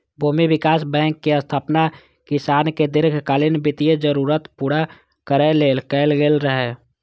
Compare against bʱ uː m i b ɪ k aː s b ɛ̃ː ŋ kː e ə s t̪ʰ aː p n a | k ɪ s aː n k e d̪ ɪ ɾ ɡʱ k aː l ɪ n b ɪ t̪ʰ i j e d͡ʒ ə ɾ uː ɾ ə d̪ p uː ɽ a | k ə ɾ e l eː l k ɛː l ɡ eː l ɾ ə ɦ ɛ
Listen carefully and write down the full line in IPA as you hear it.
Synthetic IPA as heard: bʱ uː m i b ɪ k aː s b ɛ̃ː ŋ kː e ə s t̪ʰ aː p n a | k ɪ s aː n k e d̪ ɪ ɾ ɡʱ k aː l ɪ n b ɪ t̪ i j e d͡ʒ ə ɾ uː ɾ ə t̪ p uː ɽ a | k ə ɾ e l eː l k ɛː l ɡ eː l ɾ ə ɦ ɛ